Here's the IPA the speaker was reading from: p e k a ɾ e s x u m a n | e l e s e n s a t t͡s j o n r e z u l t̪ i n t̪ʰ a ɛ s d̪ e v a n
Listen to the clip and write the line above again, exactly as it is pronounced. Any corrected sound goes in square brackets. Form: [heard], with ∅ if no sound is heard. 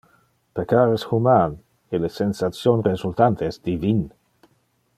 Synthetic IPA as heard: p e k a ɾ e s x u m a n | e l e s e n s a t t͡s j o n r e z u l t̪ [a] n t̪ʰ [e] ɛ s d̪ [i] v [i] n